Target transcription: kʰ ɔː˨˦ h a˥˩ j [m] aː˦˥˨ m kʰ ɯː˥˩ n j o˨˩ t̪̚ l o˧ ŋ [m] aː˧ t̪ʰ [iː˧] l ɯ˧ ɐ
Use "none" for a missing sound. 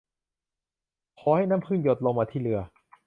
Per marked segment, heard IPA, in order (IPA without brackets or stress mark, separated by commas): n, m, iː˥˩˨